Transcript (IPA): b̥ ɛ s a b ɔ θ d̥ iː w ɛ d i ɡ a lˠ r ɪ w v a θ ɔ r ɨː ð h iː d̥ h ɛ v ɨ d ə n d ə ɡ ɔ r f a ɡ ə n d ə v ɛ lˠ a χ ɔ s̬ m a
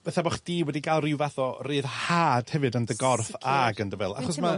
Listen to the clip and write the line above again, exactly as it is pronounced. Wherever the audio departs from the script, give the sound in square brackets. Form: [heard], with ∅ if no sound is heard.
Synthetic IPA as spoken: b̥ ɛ [θ] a b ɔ [χ] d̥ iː w ɛ d i ɡ a lˠ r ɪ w v a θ ɔ r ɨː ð h [aː] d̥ h ɛ v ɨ d ə n d ə ɡ ɔ r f a ɡ ə n d ə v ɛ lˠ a χ ɔ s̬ m a